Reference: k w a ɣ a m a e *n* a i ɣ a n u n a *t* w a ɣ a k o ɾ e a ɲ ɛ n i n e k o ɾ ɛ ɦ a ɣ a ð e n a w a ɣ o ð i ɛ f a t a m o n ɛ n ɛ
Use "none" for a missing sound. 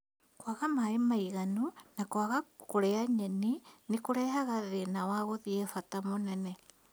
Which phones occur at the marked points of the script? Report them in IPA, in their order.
m, k

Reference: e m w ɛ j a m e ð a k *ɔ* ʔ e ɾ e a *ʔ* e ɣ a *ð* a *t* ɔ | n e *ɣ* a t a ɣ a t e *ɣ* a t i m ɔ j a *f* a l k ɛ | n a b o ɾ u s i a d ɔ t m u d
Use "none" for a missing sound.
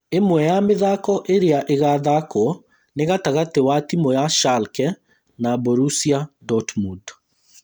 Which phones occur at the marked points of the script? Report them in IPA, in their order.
ɔ, ʔ, ð, k, ɣ, w, ʃ

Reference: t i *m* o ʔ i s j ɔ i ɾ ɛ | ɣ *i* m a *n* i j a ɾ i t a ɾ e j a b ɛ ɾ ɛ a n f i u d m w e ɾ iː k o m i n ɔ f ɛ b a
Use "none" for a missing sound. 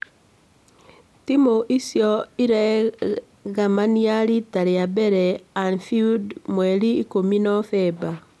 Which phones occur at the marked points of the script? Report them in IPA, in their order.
m, a, n

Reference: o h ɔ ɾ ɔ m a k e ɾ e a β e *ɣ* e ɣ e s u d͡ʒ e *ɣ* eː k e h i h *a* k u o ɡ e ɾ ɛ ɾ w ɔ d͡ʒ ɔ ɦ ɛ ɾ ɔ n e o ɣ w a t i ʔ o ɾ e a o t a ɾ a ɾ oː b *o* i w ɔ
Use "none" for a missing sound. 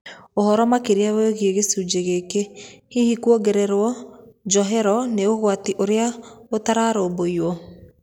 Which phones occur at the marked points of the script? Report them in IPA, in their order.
ɣ, ɣ, i, o

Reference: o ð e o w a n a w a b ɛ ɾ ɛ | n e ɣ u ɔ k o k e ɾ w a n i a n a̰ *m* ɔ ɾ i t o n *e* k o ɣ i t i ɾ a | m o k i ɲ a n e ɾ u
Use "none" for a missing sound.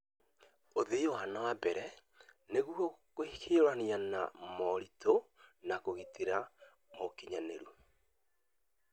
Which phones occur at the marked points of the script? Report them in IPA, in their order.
m, a

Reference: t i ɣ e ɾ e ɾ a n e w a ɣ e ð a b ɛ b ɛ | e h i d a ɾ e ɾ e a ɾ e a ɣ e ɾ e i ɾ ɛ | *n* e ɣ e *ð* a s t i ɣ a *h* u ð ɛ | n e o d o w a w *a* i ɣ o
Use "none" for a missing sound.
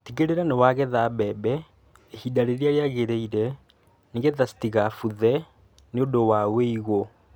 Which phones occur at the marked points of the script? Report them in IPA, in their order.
n, ð, f, e

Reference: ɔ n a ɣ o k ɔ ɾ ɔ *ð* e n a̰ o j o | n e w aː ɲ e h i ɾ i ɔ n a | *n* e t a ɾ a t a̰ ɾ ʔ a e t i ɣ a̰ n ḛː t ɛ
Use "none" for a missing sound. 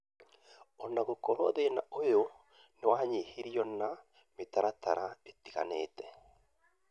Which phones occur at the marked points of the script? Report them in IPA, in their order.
ð, m

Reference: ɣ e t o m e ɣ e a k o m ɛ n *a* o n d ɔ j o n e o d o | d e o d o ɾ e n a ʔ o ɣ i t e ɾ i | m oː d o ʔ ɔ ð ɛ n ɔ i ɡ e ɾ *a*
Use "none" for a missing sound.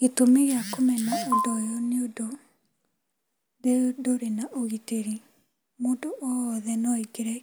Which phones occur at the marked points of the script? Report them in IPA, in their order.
a, ɛ

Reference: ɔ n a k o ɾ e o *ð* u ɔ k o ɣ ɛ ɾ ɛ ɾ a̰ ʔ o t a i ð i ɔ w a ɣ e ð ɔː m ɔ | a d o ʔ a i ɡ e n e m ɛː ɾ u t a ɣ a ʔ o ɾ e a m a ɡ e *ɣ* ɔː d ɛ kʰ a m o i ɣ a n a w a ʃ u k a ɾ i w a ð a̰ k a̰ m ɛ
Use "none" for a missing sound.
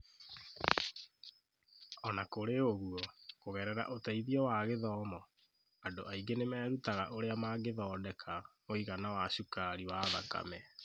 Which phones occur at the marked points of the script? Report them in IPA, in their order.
ɣ, ð

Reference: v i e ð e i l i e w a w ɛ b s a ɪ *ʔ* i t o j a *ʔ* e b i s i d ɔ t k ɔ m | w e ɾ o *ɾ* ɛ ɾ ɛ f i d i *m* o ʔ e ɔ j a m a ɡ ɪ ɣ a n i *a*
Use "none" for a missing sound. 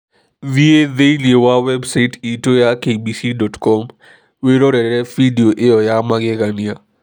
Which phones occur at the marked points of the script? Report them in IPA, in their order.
t, k, ɾ, none, a

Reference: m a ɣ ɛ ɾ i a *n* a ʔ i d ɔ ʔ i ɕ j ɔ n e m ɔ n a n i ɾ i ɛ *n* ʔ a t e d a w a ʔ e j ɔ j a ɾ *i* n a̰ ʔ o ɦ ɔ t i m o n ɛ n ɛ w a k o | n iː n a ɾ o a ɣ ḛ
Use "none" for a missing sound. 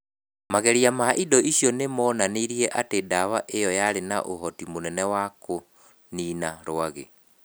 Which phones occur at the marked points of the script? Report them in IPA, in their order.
m, none, e

